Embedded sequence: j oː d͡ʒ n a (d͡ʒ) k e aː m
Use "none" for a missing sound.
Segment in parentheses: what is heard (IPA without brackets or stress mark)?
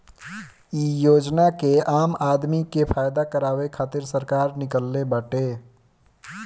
none